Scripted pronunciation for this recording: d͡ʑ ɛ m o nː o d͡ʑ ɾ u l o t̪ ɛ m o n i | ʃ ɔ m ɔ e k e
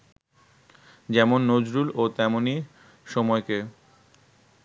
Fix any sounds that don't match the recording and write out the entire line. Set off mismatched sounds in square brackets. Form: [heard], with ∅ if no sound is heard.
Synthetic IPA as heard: d͡ʑ ɛ m o nː o d͡ʑ ɾ u l o t̪ ɛ m o n i | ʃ ɔ m ɔ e k e